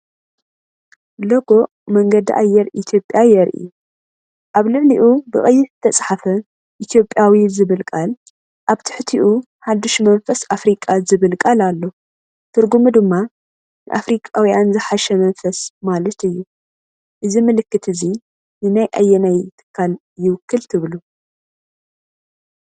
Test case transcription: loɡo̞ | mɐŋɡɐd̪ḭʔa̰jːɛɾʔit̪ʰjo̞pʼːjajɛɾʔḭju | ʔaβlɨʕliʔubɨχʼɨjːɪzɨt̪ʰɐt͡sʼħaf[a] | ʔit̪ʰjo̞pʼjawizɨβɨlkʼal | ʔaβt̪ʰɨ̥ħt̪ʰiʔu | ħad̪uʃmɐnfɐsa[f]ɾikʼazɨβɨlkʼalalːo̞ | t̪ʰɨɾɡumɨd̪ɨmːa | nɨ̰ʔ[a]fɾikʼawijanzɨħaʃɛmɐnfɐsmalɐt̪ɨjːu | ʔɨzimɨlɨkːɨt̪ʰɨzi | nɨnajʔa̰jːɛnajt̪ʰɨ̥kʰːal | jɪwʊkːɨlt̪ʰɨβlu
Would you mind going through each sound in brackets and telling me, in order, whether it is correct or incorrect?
incorrect: ɐ, correct, correct

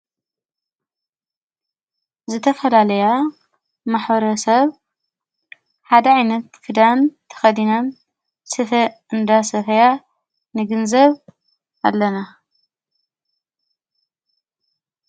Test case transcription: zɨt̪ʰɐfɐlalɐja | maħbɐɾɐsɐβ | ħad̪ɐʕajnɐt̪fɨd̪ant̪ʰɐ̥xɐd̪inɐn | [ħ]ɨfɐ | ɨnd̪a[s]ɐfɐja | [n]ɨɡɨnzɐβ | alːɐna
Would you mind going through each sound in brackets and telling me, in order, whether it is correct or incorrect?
incorrect: s, correct, correct

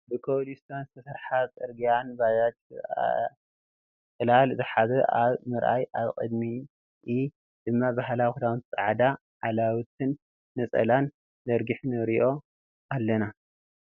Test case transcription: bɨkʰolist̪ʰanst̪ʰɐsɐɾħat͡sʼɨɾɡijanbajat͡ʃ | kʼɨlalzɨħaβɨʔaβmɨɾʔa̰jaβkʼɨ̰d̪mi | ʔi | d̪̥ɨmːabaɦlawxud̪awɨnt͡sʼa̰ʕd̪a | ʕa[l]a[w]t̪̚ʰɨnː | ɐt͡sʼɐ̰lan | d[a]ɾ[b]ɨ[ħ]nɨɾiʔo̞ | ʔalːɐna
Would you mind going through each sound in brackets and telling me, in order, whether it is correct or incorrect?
correct, correct, incorrect: ɐ, incorrect: ɡ, correct

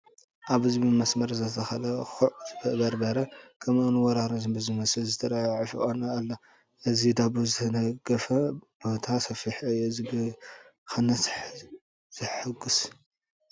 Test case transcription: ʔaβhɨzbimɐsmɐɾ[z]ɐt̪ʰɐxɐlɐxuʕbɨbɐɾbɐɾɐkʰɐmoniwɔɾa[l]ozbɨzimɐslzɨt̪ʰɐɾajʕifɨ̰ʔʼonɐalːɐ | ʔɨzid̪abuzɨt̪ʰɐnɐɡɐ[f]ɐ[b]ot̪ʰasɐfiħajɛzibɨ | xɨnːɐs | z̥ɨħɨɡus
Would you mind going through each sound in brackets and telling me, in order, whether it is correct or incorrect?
correct, incorrect: ɾ, correct, correct

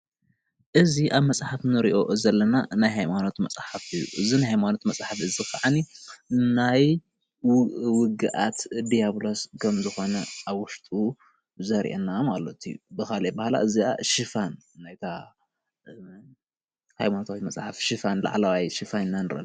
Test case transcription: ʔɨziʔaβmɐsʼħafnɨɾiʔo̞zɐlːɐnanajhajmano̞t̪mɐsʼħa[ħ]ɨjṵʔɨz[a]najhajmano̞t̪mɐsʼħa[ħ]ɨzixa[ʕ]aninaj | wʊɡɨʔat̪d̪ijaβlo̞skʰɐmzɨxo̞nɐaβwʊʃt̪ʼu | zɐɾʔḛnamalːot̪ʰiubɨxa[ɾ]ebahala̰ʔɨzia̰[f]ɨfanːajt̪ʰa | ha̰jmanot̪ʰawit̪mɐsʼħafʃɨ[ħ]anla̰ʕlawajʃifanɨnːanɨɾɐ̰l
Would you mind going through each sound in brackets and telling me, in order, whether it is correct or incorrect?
incorrect: f, incorrect: i, incorrect: f, correct, incorrect: l, incorrect: ʃ, incorrect: f

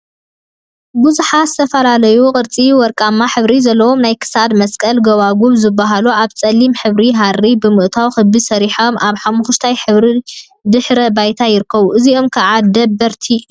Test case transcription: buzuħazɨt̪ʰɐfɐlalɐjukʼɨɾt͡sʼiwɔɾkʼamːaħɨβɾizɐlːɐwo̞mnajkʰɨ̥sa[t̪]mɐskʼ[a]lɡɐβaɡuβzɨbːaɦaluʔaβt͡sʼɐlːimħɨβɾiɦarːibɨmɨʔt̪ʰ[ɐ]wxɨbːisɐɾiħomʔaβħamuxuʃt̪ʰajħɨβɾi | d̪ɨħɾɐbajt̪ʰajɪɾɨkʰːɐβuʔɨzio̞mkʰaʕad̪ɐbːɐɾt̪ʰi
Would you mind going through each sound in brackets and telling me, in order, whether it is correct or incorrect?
incorrect: d̪, incorrect: ɐ, incorrect: a

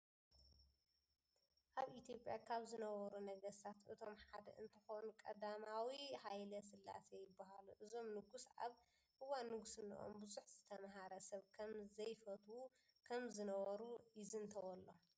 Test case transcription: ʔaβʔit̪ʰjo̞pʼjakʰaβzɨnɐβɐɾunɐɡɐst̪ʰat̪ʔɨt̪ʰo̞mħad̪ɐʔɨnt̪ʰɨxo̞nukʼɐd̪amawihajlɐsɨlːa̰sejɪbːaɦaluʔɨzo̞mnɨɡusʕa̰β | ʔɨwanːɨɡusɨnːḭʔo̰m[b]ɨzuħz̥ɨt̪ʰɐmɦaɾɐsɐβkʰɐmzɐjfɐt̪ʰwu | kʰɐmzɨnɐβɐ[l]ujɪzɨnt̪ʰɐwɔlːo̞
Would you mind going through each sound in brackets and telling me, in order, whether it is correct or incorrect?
correct, incorrect: ɾ

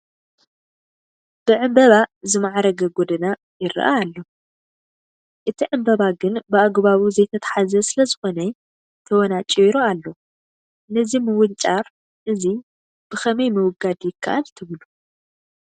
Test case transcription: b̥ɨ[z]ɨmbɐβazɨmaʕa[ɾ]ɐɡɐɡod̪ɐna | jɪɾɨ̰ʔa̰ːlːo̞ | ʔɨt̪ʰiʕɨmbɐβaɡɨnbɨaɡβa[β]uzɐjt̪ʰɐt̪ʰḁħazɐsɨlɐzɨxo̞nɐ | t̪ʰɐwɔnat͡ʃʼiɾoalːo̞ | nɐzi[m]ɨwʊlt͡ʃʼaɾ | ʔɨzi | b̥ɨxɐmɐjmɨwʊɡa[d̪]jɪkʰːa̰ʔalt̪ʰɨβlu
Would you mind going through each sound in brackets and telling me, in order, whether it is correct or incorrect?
incorrect: ʕ, correct, correct, correct, correct

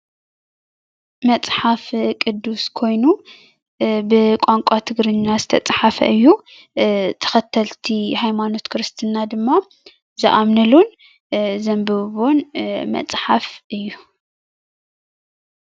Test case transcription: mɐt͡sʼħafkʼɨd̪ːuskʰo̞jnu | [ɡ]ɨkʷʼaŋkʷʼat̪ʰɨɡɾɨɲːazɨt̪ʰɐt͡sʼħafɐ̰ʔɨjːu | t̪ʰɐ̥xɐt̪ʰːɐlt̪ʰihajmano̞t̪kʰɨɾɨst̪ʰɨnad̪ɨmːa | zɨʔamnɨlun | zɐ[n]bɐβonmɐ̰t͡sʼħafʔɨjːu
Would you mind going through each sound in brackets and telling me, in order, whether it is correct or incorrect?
incorrect: b, incorrect: m

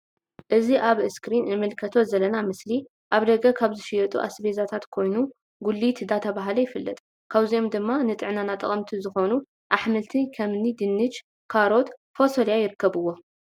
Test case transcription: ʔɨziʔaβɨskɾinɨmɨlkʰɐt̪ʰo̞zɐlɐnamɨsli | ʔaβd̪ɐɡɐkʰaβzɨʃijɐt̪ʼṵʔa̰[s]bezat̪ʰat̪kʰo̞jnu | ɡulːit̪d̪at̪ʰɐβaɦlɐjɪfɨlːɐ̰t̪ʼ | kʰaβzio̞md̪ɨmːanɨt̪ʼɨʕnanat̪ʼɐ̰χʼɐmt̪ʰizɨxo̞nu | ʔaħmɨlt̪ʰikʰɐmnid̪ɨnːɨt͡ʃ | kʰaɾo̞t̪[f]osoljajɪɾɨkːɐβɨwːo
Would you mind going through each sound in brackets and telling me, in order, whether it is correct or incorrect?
correct, correct

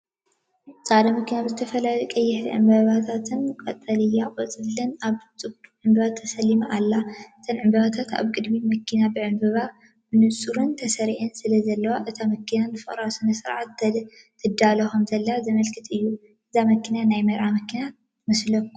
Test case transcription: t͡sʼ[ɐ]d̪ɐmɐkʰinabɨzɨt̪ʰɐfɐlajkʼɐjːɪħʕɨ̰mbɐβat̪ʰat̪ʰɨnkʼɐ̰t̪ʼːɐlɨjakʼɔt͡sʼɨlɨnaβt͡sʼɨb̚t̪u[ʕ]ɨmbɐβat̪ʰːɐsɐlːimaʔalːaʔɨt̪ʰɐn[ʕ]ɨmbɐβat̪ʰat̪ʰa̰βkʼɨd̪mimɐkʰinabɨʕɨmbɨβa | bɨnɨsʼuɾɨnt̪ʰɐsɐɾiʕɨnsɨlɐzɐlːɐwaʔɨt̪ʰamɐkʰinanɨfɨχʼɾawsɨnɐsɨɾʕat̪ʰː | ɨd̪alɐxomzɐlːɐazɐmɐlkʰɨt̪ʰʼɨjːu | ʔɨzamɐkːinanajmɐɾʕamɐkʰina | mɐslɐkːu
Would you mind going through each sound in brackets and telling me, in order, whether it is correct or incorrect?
incorrect: a, correct, correct

